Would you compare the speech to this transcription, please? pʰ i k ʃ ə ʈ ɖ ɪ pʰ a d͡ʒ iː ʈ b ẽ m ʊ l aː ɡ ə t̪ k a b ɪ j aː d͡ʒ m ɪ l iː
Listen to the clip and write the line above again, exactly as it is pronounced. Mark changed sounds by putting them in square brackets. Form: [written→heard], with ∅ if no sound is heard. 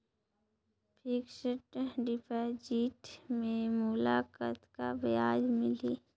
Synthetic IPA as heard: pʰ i k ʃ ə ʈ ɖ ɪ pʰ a d͡ʒ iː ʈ [b→m] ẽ m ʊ l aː [ɡ→k] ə t̪ k a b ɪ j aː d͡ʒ m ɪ l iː